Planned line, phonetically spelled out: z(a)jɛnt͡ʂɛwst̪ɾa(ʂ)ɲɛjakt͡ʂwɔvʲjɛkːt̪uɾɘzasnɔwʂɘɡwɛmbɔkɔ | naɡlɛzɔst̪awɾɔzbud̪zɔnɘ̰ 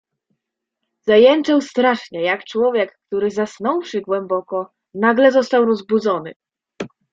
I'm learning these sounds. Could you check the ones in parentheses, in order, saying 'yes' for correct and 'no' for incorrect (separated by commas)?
yes, yes